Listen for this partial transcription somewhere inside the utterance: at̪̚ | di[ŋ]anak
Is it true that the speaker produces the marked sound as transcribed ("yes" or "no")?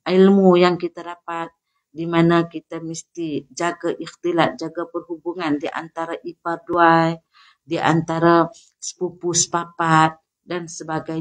no